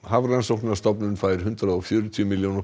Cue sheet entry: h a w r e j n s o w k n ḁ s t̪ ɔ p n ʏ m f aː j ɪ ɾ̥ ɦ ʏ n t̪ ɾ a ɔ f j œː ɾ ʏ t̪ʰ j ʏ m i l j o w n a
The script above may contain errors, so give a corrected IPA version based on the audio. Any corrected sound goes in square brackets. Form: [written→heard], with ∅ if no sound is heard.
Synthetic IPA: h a [w→v] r [e→a] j n s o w k n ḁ s t̪ ɔ p n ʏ [m→n] f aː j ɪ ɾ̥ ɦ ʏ n t̪ ɾ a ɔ f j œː ɾ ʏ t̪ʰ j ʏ m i l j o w n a

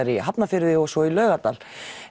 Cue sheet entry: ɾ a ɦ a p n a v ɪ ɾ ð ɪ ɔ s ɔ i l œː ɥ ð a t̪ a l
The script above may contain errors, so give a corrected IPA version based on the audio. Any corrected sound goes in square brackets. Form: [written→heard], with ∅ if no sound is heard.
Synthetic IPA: ɾ [a→i] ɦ a p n a [v→f] ɪ ɾ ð ɪ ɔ s ɔ i l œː ɥ [ð→ɣ] a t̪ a l

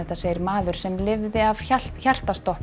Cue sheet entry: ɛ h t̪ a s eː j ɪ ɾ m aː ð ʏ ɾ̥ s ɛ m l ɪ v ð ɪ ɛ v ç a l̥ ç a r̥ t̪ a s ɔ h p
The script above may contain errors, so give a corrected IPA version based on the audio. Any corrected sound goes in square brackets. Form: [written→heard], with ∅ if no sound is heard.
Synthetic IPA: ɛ h t̪ a s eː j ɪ ɾ m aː ð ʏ ɾ̥ s ɛ m l ɪ v ð ɪ [ɛ→a] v ç a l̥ ç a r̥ t̪ a s ɔ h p

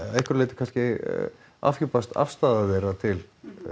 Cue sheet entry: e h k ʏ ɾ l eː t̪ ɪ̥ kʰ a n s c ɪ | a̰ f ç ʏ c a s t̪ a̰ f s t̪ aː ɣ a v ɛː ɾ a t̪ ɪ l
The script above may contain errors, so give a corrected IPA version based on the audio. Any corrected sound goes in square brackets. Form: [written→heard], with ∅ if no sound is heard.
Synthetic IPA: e h k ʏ ɾ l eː t̪ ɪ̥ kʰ a n s c ɪ | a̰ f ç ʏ [c→p] a s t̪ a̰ f s t̪ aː [ɣ→ð] a v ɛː ɾ a [t̪→t̪ʰ] ɪ l

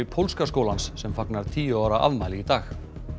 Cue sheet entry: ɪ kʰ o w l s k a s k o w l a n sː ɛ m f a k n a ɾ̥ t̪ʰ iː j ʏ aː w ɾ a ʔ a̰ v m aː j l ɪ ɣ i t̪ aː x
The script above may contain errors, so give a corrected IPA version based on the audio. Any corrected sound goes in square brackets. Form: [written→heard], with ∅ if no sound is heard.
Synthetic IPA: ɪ [kʰ→pʰ] o w l s k a s k o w l a n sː ɛ m f a k n a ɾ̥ t̪ʰ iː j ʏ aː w ɾ a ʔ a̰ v m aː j l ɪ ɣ i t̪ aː x

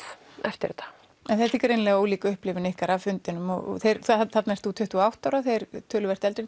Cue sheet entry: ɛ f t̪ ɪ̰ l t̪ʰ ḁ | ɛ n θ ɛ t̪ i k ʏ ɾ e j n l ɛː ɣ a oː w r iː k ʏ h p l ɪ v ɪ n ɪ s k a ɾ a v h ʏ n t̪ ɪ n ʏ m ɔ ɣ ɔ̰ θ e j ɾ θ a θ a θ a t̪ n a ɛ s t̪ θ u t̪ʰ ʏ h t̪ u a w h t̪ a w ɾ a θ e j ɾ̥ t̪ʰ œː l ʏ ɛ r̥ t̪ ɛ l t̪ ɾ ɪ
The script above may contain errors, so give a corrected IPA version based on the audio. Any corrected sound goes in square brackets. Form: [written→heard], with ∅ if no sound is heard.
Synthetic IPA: ɛ f t̪ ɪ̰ [l→ɾ] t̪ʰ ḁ | ɛ n θ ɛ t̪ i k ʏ ɾ e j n l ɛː ɣ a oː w [r→l] iː k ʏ h p l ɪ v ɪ n ɪ [s→h] k a ɾ a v [h→f] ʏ n t̪ ɪ n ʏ m ɔ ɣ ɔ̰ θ e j ɾ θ a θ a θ a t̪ n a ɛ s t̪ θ u t̪ʰ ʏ h t̪ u a w h t̪ a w ɾ a θ e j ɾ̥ t̪ʰ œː l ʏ ɛ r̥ t̪ ɛ l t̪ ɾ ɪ

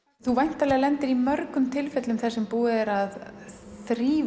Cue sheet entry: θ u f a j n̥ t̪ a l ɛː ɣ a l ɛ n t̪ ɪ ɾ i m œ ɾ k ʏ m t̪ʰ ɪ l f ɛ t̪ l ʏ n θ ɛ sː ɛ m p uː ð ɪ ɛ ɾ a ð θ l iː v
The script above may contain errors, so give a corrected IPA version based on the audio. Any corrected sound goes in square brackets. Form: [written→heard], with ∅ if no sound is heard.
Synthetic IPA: θ u [f→v] a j n̥ t̪ a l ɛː ɣ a l ɛ n t̪ ɪ ɾ i m œ ɾ k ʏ m t̪ʰ ɪ l f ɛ t̪ l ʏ [n→m] θ ɛ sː ɛ m p uː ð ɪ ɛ ɾ a ð θ [l→ɾ] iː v

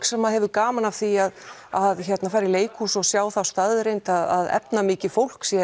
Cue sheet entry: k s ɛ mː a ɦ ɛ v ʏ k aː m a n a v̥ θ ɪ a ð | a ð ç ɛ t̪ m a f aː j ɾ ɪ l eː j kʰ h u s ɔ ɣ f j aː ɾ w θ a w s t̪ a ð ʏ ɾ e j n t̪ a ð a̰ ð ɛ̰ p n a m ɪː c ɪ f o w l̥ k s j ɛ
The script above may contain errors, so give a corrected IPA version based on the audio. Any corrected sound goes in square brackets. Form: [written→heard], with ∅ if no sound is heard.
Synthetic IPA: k s ɛ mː a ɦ ɛ v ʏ k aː m a n a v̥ θ [ɪ→i] a ð | a ð ç ɛ t̪ [m→n] a f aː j ɾ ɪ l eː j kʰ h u s ɔ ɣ [f→s] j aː [ɾ→∅] w θ a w s t̪ a ð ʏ ɾ e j n t̪ a ð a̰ ð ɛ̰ p n a m ɪː c ɪ f o w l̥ k s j ɛ

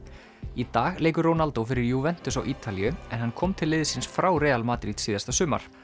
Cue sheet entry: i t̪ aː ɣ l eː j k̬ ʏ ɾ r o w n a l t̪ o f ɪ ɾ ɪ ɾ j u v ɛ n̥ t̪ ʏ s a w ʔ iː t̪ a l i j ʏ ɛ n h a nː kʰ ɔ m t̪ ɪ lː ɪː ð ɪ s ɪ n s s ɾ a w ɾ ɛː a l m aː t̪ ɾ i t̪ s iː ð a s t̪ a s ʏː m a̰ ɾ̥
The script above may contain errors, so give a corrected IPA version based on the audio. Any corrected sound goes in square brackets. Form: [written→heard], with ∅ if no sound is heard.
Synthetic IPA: i t̪ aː ɣ l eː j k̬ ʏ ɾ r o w n a l t̪ o f ɪ ɾ ɪ ɾ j u v ɛ n̥ t̪ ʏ s a w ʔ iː t̪ a l i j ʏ ɛ n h a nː kʰ ɔ m [t̪→t̪ʰ] ɪ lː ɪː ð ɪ s ɪ n s [s→f] ɾ a w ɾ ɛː a l m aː t̪ ɾ i t̪ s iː ð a s t̪ a s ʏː m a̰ ɾ̥

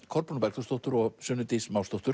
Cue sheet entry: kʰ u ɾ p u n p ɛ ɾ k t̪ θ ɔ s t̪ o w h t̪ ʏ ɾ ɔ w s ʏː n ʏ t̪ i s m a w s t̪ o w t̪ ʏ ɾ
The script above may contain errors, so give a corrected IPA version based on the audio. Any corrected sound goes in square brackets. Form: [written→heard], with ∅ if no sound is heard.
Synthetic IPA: kʰ [u→ɔ] ɾ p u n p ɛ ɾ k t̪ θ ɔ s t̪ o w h t̪ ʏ ɾ ɔ [w→ɣ] s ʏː n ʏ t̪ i s m a w s t̪ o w t̪ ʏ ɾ

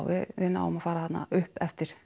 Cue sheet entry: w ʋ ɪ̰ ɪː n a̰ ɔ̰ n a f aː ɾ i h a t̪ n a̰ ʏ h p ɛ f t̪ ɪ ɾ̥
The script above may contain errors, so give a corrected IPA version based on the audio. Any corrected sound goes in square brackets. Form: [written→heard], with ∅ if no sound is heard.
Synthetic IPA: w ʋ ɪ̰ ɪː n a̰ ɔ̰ [n→m] a f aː ɾ [i→a] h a t̪ n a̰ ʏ h p ɛ f t̪ ɪ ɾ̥

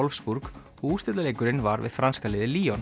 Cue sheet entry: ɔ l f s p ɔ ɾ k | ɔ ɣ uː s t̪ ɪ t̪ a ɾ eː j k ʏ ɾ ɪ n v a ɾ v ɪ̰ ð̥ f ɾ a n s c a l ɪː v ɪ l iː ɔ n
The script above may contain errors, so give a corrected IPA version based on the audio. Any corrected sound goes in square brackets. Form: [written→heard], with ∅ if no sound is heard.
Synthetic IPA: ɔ l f s p [ɔ→u] ɾ k | ɔ ɣ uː s t̪ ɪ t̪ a [ɾ→l] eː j k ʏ ɾ ɪ n v a ɾ v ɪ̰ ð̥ f ɾ a n s [c→k] a l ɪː [v→ð] ɪ l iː ɔ n

